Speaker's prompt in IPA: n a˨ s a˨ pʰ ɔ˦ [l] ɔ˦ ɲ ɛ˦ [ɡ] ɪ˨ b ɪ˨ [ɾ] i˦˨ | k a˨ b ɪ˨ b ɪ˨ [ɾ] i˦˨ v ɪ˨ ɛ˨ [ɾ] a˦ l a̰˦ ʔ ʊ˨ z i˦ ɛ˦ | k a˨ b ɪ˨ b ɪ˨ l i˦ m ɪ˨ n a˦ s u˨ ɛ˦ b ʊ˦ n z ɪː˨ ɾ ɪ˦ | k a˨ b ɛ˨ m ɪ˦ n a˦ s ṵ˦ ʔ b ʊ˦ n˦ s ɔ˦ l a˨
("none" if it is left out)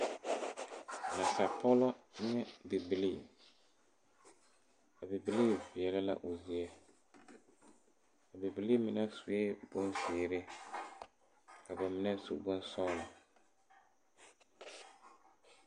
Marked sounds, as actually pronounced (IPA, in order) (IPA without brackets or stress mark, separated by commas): l, b, l, l, l